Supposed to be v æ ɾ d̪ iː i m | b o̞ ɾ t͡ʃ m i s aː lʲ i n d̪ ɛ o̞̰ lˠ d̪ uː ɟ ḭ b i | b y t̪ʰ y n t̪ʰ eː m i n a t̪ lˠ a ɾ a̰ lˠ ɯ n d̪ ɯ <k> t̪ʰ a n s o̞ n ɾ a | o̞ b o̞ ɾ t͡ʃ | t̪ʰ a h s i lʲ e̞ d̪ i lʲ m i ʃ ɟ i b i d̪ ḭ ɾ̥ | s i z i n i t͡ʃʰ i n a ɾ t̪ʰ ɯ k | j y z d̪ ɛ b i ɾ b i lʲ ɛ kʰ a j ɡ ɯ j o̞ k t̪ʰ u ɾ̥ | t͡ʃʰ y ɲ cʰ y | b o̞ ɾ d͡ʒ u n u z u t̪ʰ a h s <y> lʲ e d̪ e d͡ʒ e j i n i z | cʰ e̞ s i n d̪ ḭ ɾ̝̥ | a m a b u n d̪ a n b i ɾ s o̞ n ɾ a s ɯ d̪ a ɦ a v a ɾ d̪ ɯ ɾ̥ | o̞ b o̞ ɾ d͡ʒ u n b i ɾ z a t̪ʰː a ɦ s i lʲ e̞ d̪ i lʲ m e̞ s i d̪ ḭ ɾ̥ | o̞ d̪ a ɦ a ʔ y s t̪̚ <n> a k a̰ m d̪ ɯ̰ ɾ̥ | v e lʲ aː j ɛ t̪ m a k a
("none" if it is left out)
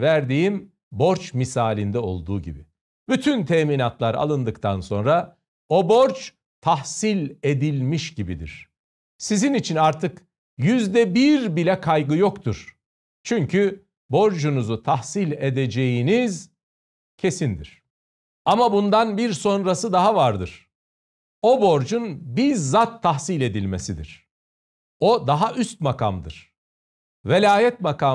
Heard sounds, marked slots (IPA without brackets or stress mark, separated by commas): k, i, m